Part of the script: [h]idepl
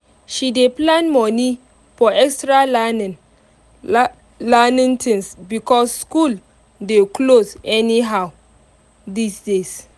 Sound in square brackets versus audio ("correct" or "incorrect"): incorrect